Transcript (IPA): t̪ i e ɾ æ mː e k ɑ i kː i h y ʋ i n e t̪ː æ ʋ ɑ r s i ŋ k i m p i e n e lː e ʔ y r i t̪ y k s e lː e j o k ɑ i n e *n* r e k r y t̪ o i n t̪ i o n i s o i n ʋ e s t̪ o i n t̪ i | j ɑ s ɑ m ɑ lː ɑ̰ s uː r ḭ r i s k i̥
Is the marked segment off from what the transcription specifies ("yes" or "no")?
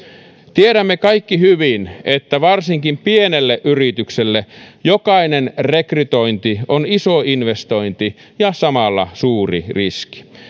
no